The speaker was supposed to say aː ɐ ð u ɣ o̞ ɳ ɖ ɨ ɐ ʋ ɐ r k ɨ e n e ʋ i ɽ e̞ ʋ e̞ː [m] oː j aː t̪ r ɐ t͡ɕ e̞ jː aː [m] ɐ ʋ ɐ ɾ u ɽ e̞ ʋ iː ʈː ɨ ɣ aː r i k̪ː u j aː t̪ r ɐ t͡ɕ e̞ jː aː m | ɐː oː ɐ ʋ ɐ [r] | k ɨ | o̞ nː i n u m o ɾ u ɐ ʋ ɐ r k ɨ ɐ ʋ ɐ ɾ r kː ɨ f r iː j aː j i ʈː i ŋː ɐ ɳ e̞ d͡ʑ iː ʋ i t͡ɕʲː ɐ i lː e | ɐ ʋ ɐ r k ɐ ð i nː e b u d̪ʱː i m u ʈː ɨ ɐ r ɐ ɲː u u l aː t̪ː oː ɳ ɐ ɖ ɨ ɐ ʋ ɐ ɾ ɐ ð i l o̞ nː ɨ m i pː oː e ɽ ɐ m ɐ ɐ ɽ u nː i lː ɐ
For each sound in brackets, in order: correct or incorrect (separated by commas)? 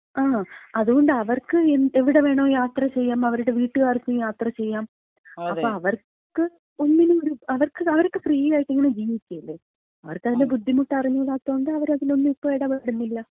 incorrect, correct, correct